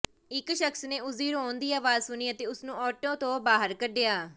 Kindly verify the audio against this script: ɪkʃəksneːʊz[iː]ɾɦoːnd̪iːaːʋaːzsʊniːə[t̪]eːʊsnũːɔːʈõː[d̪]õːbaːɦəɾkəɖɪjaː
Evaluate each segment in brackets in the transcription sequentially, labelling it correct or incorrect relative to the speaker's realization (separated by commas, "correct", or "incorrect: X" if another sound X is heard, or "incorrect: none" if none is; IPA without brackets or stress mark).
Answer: correct, correct, incorrect: t̪